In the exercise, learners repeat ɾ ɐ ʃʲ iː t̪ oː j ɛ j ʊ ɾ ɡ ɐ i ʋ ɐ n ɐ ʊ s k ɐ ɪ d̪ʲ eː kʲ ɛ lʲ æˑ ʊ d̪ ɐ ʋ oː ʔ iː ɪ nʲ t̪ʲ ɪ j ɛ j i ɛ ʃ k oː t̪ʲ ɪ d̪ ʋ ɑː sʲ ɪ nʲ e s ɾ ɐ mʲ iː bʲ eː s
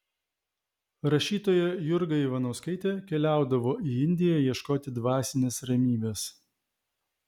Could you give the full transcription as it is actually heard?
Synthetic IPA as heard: ɾ ɐ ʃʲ iː t̪ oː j ɛ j ʊ ɾ ɡ ɐ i ʋ ɐ n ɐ ʊ s k ɐ ɪ t̪ʲ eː kʲ ɛ lʲ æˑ ʊ d̪ ɐ ʋ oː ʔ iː ɪ nʲ d̪ʲ ɪ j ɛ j i ɛ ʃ k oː t̪ʲ ɪ d̪ ʋ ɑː sʲ ɪ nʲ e s ɾ ɐ mʲ iː bʲ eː s